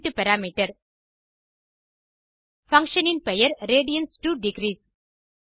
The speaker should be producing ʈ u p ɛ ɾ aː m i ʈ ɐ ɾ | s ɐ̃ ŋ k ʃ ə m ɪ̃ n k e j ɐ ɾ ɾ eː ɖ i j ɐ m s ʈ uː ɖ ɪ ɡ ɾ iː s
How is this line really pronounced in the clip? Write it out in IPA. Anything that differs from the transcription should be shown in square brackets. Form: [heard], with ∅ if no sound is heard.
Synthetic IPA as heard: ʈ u p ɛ ɾ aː m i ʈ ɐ ɾ | [f] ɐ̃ ŋ k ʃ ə [n] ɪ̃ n [p] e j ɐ ɾ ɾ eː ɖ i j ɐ [n] s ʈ uː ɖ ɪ ɡ ɾ iː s